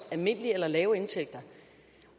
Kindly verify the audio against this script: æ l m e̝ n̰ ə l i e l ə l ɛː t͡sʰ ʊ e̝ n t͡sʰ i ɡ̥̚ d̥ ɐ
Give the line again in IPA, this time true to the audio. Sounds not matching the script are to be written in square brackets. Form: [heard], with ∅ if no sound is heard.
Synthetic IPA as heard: æ l m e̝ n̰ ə l i e l [ɐ] l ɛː [∅] ʊ e̝ n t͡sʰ [e] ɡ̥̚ d̥ ɐ

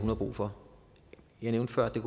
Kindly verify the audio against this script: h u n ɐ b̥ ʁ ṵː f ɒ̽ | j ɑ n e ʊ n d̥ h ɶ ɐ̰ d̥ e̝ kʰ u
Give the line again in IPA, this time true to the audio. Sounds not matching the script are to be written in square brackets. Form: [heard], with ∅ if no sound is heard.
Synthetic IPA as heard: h u n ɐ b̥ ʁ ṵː f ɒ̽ | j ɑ n e ʊ n d̥ [f] ɶ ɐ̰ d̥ e̝ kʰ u

